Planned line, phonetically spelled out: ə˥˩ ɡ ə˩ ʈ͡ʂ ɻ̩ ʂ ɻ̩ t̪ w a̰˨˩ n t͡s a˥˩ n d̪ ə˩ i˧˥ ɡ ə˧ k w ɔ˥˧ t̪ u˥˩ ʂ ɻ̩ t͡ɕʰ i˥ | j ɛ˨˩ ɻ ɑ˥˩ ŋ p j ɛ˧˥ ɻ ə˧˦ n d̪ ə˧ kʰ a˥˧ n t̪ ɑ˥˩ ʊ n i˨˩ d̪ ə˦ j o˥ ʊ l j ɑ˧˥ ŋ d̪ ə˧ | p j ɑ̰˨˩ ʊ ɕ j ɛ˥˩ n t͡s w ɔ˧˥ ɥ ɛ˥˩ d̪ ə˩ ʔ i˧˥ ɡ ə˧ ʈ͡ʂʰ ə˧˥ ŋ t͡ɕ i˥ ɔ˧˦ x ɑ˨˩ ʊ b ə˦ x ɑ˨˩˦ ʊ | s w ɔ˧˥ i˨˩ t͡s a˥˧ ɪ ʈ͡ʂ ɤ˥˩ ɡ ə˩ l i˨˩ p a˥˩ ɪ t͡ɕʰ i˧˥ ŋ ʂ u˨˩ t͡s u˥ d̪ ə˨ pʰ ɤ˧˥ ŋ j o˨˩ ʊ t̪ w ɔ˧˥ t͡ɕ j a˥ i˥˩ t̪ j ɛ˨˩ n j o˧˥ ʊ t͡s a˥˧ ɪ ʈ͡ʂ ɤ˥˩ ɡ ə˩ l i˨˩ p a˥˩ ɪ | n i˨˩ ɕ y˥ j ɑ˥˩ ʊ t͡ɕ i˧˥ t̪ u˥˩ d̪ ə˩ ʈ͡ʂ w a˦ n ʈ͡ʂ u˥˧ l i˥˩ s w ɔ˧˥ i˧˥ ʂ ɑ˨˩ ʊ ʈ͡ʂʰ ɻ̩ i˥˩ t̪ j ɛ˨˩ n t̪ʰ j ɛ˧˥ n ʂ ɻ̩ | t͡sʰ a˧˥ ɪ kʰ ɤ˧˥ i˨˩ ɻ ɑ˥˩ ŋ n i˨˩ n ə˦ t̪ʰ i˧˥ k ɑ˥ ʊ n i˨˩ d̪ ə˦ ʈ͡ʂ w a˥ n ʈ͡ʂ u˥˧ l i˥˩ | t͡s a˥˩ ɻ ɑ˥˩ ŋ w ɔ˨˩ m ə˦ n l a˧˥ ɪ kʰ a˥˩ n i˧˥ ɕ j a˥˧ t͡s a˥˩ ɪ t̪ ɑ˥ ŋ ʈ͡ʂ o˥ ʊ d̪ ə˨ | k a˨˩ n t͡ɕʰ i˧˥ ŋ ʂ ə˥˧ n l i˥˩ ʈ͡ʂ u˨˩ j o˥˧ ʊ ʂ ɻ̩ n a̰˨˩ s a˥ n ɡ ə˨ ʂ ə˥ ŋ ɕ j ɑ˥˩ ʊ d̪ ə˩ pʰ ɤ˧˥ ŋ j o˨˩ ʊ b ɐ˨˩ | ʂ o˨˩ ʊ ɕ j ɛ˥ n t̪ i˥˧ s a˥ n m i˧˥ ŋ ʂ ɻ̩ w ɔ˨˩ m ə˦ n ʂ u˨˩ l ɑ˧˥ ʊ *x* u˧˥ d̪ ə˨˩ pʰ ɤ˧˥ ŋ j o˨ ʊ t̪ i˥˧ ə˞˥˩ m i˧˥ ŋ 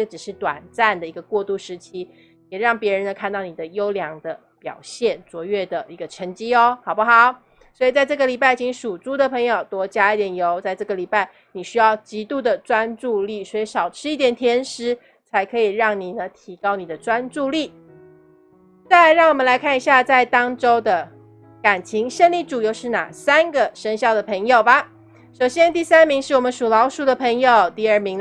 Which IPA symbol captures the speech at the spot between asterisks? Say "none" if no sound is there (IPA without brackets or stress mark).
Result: ʂ